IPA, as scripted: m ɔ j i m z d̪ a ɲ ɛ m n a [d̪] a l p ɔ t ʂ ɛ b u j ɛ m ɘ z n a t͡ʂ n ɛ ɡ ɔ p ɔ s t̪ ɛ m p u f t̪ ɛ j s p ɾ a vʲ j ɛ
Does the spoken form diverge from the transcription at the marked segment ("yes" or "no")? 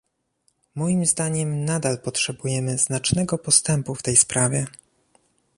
no